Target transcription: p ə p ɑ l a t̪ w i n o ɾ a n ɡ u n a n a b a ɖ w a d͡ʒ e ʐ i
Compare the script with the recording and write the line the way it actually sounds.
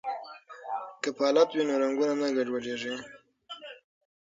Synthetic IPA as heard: k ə p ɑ l a t̪ w i n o ɾ a ŋ ɡ u n a n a ɡ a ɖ w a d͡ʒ e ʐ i